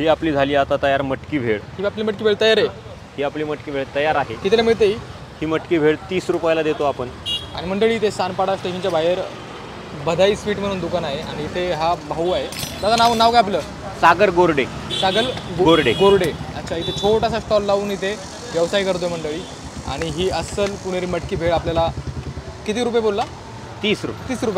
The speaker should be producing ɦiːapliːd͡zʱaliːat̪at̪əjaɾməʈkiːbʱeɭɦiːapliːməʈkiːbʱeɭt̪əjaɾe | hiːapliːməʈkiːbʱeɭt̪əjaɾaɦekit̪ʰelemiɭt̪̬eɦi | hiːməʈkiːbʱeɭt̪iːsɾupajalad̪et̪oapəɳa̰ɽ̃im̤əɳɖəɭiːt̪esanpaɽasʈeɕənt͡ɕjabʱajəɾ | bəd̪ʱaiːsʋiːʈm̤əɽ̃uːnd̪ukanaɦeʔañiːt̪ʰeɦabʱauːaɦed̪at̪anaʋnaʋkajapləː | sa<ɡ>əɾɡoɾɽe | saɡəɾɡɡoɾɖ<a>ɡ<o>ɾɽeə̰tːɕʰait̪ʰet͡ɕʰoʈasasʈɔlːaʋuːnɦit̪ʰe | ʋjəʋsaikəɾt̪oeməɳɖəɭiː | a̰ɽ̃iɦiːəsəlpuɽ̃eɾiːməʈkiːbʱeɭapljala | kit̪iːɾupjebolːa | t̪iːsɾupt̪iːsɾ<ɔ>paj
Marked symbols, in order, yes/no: yes, no, yes, no

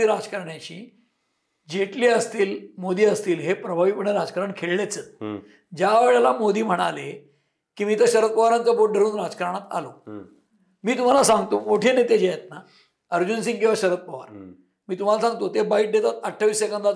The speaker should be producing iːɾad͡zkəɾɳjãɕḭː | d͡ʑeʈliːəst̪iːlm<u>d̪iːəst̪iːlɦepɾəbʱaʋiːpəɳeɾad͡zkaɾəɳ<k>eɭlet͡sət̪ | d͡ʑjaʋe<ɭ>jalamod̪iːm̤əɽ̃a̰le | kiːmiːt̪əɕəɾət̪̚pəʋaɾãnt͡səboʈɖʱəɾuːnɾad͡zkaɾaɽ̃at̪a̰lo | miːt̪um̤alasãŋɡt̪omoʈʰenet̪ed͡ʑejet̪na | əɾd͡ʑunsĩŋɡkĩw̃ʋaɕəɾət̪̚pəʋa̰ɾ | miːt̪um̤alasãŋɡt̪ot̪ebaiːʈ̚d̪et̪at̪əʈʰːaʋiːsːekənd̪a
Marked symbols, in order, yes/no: no, no, yes

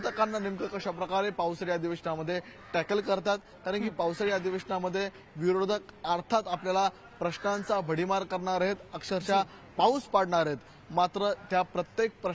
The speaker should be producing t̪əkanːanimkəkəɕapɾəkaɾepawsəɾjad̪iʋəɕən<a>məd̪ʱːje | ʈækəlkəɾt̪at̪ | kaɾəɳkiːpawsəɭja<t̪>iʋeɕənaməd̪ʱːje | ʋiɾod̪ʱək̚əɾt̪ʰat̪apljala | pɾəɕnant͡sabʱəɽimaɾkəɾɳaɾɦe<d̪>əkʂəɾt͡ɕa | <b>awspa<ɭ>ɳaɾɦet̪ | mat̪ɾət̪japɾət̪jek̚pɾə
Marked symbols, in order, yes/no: yes, no, no, no, no

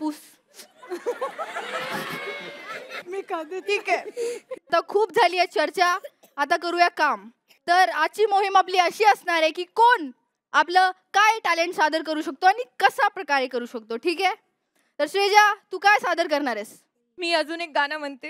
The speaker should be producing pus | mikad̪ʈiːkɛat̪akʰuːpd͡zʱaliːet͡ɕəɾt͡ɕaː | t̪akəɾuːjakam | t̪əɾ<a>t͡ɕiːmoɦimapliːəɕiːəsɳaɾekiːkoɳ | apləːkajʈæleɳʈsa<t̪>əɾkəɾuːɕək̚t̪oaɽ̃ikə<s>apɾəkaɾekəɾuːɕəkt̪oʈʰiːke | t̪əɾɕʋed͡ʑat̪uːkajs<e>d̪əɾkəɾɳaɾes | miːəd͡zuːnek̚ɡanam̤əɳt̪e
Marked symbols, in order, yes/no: yes, no, yes, no

